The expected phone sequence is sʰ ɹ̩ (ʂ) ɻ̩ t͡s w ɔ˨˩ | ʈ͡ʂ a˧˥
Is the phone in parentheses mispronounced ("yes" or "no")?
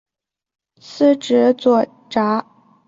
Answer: yes